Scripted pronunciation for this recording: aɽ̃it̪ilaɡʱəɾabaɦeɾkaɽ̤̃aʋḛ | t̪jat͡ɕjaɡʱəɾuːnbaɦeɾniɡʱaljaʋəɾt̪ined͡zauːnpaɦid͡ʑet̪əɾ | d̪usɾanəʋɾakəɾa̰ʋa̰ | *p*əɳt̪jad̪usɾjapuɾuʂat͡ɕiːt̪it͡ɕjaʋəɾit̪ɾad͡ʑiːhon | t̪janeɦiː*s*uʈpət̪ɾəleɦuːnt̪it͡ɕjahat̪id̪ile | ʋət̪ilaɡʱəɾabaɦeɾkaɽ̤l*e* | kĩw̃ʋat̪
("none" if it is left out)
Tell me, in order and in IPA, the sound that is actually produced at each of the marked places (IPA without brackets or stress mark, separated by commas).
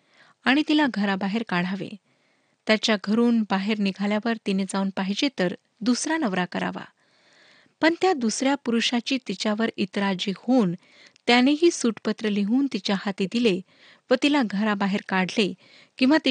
p, s, e